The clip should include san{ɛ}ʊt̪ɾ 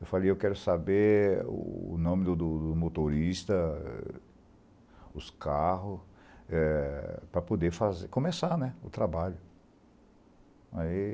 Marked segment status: correct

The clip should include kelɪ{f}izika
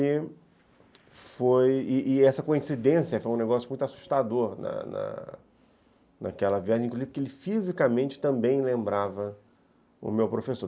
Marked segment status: correct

